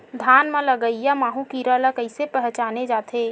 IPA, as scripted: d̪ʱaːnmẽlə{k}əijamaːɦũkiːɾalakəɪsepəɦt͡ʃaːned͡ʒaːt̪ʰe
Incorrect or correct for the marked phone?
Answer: incorrect: ɡ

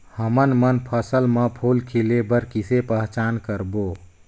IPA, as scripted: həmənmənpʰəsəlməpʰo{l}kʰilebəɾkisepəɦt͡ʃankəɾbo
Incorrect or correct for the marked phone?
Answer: correct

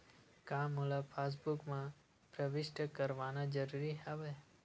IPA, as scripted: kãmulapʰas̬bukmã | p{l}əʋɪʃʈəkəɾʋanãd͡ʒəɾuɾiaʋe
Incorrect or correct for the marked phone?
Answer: incorrect: ɾ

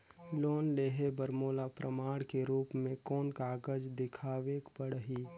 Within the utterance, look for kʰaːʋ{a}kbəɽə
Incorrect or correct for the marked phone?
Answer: incorrect: e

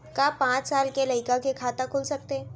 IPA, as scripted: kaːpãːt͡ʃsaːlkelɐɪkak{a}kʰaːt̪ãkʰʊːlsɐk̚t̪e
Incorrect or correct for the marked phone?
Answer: incorrect: e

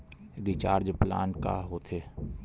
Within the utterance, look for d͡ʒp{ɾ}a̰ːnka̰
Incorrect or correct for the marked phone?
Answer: incorrect: l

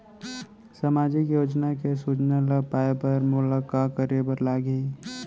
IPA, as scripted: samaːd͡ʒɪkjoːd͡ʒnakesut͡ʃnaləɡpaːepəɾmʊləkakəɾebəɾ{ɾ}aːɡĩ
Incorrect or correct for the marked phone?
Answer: incorrect: l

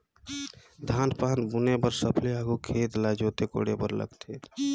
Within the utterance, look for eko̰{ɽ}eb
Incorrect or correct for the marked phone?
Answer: correct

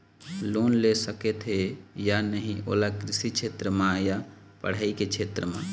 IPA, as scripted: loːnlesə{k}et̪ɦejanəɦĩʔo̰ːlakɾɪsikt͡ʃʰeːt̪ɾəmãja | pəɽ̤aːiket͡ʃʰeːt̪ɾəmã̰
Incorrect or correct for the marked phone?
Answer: correct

